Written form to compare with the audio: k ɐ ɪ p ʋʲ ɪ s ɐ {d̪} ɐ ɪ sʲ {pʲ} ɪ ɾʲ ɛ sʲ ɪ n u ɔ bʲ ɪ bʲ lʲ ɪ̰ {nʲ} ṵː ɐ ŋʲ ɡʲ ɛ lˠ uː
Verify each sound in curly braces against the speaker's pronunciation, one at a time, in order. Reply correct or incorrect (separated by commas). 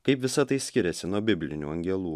incorrect, incorrect, correct